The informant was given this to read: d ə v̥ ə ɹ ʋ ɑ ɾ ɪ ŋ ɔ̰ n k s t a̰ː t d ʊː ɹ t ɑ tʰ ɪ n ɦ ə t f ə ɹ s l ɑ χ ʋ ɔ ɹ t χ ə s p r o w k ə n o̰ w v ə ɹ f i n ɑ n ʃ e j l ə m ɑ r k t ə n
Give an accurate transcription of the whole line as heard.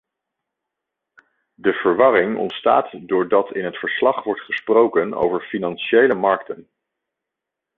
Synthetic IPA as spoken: d ə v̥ ə ɹ ʋ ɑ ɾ ɪ ŋ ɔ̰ n t s t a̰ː t d ʊː ɹ d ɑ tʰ ɪ n ɦ ə t f ə ɹ s l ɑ χ ʋ ɔ ɹ t χ ə s p r o w k ə n o̰ w v ə ɹ f i n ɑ n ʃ e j l ə m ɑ ɹ k t ə n

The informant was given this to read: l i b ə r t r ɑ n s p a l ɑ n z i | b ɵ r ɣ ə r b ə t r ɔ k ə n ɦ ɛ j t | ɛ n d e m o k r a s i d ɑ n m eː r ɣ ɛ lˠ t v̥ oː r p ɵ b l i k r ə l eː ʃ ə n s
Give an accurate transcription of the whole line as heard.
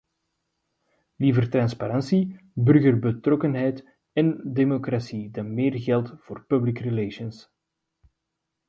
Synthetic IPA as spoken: l i v ə r t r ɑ n s p a ɾ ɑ n s i | b ɵ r ɣ ə r b ə t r ɔ k ə n ɦ ɛ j t | ɛ n d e m o k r a s i d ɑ n m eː r ɣ ɛ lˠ t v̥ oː r p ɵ b l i k r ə l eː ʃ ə n s

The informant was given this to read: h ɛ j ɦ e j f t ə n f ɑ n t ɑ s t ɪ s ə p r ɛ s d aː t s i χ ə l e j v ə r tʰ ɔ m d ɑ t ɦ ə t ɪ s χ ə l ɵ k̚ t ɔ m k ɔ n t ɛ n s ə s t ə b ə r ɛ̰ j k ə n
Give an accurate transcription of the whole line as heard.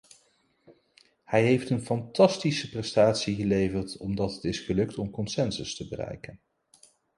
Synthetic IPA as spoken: h ɛ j ɦ e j f t ə n f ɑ n t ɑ s t i s ə p r ɛ s t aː t s i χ ə l e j v ə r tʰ ɔ m d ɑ t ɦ ə t ɪ s χ ə l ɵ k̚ t ɔ m k ɔ n s ɛ n s ə s t ə b ə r ɛ̰ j k ə n

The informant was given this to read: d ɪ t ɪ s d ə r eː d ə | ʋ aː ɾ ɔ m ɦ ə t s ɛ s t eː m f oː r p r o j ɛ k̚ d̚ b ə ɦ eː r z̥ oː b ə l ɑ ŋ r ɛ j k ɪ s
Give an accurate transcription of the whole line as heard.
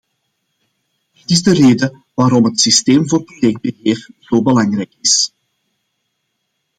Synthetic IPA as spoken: d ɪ t ɪ z d ə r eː d ə | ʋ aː ɾ ɔ m ɦ ə t s i s t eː m v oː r p r o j ɛ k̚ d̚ b ə ɦ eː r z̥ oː b ə l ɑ ŋ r ɛ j k ɪ s

